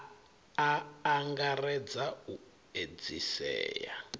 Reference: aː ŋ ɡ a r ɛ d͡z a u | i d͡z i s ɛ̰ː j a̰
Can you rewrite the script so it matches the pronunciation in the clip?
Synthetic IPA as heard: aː ŋ ɡ a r ɛ d͡z a u | e d͡z i s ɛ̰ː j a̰

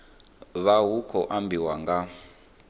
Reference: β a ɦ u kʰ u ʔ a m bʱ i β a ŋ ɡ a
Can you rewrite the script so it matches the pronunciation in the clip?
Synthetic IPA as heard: β a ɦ u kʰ ɔ ʔ a m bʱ i w a ŋ ɡ a

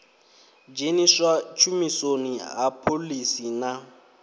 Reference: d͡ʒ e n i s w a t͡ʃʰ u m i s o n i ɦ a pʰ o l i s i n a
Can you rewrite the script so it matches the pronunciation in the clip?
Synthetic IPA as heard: d͡ʒ e n i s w a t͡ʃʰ u m i s o n i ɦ a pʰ o l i s i n a

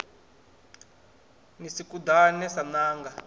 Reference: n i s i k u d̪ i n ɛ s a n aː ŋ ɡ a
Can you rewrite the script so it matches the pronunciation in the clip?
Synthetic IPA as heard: n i s i k u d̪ a n ɛ s a n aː ŋ ɡ a

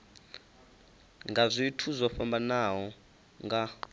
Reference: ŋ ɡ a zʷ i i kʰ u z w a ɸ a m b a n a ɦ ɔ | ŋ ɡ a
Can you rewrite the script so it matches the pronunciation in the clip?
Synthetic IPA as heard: ŋ ɡ a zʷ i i tʰ u z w a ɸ a m b a n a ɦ ɔ | ŋ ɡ a

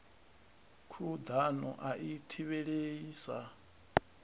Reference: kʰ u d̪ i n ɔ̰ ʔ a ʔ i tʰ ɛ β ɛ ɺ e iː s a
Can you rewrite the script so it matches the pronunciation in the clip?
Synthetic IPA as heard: kʰ u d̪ a n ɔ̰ ʔ a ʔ i tʰ i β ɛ ɺ e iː s a

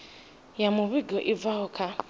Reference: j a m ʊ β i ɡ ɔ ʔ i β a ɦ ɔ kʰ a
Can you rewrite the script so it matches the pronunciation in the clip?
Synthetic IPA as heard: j a m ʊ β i ɡ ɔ ʔ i v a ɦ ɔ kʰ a

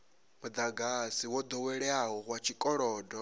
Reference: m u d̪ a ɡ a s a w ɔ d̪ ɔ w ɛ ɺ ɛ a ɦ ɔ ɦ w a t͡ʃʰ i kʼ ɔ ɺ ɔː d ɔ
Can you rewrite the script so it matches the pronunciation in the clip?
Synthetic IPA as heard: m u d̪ a ɡ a s i w ɔ d̪ ɔ w ɛ ɺ ɛ a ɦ ɔ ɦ w a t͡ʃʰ i kʼ ɔ ɺ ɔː d ɔ

